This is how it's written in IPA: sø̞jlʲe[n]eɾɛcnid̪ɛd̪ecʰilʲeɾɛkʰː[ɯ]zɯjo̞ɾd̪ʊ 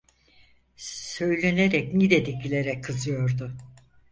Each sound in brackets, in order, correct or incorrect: correct, correct

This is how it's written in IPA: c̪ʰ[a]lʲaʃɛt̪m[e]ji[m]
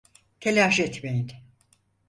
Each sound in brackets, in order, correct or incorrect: incorrect: e, correct, incorrect: n

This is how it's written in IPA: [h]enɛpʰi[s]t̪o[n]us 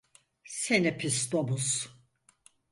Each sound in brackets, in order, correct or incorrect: incorrect: s, correct, incorrect: m

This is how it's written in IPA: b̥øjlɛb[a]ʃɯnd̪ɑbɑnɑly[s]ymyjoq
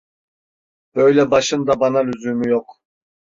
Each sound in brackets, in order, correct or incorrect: incorrect: ɑ, incorrect: z

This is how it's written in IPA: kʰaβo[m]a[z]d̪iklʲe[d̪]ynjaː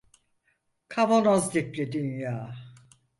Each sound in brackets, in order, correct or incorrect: incorrect: n, correct, correct

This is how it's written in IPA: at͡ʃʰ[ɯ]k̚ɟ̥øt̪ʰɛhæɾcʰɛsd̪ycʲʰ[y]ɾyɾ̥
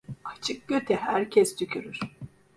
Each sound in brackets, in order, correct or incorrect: correct, correct

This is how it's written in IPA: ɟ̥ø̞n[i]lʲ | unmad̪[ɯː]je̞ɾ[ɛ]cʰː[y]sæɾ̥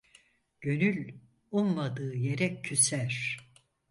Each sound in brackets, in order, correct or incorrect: incorrect: y, correct, correct, correct

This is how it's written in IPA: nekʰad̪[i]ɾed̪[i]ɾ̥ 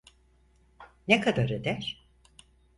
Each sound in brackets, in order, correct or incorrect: incorrect: a, incorrect: æ

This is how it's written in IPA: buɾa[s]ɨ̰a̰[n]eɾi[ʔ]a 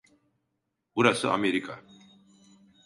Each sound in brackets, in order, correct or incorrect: correct, incorrect: m, incorrect: k

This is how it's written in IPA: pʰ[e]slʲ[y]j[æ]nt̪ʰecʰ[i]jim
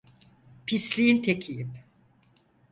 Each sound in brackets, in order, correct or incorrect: incorrect: i, incorrect: i, incorrect: i, correct

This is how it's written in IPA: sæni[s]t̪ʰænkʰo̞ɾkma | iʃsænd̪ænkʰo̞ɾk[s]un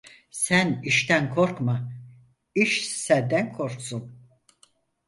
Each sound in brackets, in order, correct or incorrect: incorrect: ʃ, correct

